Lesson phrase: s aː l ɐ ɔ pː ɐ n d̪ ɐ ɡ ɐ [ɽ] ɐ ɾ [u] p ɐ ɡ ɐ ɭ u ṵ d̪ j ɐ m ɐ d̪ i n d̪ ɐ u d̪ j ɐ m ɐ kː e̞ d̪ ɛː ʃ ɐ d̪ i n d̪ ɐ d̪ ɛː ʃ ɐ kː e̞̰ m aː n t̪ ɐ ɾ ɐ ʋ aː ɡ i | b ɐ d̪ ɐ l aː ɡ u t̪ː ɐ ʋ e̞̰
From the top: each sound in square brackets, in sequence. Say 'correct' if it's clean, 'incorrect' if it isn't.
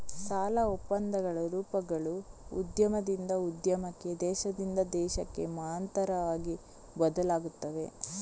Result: incorrect, incorrect

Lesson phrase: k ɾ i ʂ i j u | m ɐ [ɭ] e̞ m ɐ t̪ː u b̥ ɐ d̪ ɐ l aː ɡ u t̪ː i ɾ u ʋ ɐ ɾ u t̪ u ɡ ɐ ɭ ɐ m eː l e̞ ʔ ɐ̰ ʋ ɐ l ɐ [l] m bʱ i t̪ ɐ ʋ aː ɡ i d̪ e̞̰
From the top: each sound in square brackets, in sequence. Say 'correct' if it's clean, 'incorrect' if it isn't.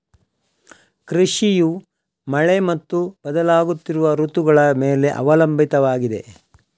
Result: correct, incorrect

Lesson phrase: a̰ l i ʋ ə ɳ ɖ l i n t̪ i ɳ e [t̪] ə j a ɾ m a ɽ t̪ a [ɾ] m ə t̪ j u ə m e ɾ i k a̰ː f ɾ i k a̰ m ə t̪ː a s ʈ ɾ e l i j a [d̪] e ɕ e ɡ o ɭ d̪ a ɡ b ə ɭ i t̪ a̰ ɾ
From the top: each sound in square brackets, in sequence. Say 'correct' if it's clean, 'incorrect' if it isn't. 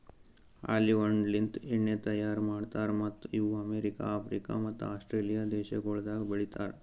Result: correct, correct, correct

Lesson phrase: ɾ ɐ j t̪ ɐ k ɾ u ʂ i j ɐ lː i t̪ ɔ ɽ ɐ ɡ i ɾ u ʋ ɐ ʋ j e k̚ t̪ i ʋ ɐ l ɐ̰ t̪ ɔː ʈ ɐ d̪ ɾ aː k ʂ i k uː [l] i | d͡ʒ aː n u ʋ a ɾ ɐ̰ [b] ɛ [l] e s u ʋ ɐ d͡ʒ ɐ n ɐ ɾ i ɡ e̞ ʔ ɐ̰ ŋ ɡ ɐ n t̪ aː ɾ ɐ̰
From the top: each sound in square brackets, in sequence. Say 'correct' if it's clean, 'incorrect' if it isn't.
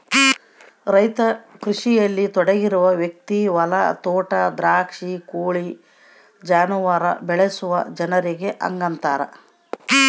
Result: incorrect, correct, incorrect

